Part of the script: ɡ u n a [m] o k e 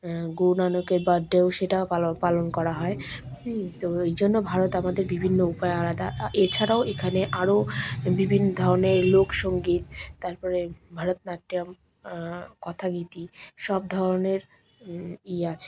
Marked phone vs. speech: incorrect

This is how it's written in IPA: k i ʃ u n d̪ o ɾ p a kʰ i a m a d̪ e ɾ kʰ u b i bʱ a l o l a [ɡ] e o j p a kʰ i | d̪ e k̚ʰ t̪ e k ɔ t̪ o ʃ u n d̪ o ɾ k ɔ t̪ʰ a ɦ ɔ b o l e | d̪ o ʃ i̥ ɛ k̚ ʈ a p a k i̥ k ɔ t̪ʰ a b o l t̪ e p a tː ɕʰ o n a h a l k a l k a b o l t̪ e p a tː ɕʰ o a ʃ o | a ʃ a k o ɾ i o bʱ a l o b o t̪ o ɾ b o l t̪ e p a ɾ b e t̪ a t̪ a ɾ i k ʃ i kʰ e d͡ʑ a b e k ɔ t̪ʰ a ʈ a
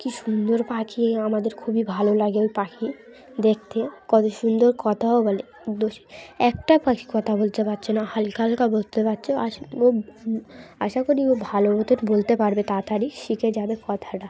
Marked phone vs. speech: correct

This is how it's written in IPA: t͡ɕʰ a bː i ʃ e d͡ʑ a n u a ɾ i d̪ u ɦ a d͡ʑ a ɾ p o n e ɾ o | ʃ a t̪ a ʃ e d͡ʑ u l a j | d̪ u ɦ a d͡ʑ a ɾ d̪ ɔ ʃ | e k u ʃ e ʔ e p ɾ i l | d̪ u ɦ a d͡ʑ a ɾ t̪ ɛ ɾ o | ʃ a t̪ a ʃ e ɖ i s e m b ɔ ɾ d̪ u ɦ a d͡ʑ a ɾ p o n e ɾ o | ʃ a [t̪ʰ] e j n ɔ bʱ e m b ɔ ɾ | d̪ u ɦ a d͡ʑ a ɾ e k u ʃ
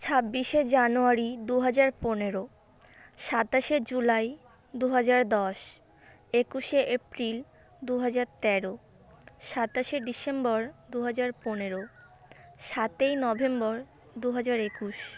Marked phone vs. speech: incorrect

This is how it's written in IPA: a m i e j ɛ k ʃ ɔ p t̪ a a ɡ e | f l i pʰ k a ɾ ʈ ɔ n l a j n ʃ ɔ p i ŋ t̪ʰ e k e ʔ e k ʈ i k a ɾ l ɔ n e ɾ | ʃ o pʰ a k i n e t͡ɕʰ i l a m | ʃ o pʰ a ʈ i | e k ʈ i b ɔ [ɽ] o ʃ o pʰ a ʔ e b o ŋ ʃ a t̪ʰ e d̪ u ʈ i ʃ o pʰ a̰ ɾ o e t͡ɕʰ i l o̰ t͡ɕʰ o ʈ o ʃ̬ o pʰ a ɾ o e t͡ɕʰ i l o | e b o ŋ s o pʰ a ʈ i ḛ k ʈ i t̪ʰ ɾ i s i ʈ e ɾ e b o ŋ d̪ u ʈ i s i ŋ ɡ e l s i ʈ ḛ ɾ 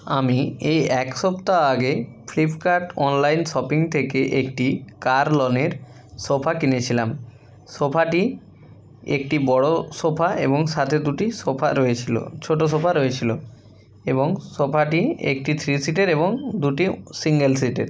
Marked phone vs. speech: correct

